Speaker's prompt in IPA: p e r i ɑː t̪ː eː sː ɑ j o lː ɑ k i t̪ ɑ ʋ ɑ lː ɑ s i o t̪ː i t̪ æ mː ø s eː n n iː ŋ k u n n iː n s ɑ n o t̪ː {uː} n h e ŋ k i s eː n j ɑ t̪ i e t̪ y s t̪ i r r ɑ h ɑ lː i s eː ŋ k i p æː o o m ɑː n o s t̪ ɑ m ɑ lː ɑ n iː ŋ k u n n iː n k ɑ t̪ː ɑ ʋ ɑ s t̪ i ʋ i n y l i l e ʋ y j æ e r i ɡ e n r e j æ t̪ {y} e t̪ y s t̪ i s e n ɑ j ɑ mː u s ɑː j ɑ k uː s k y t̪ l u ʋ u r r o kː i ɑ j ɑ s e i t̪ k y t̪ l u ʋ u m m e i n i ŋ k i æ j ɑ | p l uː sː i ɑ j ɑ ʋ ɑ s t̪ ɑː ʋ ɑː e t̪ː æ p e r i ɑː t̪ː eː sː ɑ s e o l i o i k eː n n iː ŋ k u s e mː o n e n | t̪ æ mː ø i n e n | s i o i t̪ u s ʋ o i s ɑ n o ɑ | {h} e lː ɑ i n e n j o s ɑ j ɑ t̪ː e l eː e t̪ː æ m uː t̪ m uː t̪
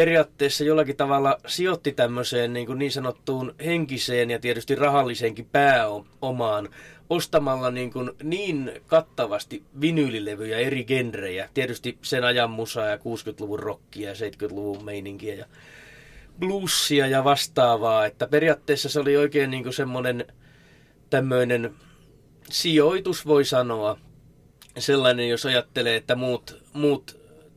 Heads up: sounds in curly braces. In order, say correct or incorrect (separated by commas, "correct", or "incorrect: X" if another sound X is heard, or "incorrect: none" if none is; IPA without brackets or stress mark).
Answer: correct, incorrect: i, incorrect: s